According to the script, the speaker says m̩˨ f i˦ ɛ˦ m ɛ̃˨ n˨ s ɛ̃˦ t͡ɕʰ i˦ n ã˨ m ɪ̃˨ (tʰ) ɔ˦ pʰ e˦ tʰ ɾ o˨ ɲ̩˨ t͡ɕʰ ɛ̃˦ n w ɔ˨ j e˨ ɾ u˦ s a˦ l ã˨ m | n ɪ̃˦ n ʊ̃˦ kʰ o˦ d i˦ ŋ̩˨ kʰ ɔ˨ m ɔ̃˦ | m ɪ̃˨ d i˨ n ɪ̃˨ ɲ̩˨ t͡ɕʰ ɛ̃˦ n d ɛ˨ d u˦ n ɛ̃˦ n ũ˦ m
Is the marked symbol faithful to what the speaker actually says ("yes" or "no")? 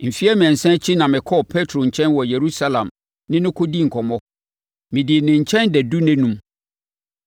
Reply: no